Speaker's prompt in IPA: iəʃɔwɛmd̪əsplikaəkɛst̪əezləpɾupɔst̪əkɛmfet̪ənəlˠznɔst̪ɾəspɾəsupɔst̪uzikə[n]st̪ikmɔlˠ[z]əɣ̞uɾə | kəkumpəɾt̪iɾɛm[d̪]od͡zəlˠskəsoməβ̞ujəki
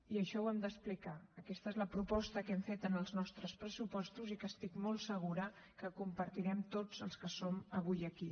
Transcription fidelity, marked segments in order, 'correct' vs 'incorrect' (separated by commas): incorrect, incorrect, incorrect